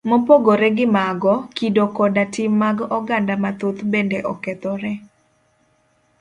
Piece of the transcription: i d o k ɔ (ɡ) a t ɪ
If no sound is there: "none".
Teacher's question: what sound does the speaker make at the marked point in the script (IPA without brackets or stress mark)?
d